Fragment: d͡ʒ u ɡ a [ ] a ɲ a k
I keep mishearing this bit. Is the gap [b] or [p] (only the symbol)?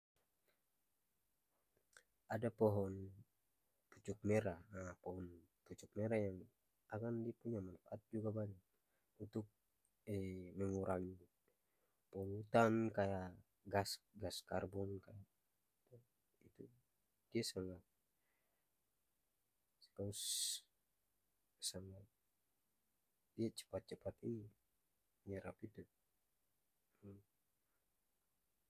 b